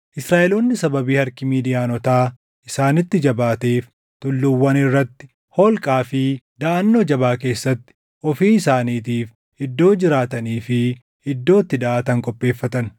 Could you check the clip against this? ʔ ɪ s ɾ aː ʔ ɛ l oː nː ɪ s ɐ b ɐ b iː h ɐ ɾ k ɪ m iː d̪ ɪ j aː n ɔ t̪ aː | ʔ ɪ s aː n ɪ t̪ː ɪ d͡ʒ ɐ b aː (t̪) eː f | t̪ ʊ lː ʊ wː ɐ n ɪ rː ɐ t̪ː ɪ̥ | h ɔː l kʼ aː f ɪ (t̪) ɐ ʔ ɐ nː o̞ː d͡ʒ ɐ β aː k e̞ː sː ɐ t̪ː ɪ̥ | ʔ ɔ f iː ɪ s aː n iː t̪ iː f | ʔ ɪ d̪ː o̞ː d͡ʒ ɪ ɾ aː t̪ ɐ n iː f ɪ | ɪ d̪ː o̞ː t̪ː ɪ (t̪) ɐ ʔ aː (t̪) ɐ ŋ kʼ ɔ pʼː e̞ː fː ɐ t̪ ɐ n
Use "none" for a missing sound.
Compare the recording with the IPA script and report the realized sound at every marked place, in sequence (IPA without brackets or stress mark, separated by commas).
t̪, d̪, d̪, t̪